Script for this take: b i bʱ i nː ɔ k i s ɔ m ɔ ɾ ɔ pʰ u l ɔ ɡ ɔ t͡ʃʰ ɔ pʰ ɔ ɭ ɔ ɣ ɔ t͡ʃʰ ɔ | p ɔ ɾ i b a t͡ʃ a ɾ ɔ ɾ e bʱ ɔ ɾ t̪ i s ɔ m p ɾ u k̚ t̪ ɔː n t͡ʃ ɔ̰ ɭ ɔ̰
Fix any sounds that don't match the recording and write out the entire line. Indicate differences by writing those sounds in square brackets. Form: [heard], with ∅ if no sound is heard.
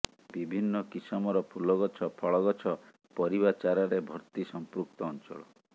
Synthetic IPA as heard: b i bʱ i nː ɔ k i s ɔ m ɔ ɾ ɔ pʰ u l ɔ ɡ ɔ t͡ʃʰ ɔ pʰ ɔ ɭ ɔ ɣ ɔ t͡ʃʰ ɔ | p ɔ ɾ i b a t͡ʃ a ɾ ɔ ɾ e bʱ ɔ ɾ t̪ i s ɔ m p ɾ u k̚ t̪ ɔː n t͡ʃ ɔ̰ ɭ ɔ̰